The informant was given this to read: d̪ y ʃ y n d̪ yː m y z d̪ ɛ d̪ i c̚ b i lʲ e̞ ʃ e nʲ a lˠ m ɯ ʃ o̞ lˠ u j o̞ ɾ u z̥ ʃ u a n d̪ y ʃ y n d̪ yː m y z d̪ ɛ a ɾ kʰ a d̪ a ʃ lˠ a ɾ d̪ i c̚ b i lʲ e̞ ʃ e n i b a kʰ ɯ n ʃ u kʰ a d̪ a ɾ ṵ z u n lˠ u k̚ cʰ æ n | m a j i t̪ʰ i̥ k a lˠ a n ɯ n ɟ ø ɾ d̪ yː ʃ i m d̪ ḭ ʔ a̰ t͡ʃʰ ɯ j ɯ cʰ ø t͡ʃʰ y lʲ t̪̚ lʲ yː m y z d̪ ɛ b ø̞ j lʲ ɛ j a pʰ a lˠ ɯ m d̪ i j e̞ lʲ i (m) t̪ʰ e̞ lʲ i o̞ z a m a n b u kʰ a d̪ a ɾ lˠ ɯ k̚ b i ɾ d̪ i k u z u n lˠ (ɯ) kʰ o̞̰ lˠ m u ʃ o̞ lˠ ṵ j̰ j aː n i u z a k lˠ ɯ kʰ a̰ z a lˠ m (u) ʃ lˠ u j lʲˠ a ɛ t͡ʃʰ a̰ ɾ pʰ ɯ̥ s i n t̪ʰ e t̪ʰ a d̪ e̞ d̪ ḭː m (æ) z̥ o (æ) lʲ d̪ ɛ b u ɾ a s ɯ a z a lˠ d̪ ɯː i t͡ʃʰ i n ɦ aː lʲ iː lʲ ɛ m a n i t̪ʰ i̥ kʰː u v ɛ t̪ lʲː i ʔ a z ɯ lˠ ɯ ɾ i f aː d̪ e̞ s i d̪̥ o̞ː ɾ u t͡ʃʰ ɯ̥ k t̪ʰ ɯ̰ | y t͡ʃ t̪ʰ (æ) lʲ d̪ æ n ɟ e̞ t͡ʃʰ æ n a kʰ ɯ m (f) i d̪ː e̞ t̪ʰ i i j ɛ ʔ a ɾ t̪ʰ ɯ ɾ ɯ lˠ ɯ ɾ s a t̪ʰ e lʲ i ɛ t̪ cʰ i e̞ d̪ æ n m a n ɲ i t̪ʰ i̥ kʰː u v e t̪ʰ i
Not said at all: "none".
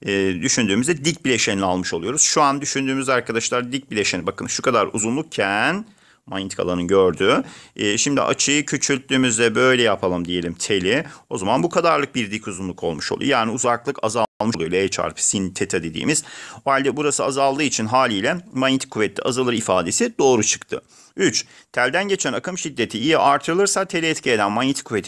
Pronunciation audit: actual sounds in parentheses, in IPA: m, u, ɯ, i, a, æ, ʃ

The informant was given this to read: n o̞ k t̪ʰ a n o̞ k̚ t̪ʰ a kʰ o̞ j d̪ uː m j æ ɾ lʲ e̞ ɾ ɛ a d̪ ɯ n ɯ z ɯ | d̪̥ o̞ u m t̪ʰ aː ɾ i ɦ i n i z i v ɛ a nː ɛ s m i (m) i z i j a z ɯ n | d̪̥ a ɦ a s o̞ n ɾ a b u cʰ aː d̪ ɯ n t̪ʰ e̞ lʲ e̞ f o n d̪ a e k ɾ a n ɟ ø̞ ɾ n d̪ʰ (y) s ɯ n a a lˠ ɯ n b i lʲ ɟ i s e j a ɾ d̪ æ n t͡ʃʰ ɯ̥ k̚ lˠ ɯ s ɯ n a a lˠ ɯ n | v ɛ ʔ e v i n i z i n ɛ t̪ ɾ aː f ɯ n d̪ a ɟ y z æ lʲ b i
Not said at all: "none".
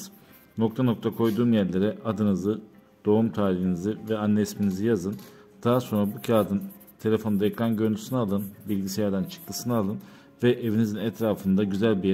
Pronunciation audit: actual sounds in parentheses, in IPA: n, y

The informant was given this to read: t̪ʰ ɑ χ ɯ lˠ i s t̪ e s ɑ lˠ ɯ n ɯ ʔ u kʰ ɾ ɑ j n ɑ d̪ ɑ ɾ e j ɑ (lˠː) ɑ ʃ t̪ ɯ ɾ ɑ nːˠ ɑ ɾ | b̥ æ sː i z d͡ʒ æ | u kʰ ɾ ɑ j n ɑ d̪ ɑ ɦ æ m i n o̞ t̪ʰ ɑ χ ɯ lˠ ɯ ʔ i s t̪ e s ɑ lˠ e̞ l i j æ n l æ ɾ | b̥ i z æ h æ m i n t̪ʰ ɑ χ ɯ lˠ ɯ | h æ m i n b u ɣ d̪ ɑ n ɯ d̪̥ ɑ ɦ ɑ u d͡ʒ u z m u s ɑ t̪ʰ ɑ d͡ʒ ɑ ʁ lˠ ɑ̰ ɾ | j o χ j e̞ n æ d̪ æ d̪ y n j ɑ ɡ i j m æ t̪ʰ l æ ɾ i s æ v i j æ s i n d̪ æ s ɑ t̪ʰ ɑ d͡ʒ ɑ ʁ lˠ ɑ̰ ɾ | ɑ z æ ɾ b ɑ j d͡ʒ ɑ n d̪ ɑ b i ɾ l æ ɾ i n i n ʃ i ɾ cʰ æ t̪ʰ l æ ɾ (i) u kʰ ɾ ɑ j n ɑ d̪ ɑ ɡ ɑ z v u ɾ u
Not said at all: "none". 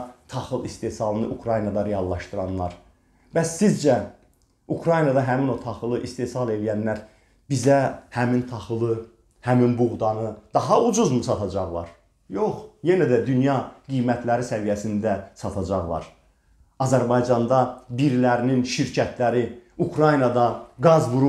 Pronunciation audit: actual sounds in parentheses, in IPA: lˠː, i

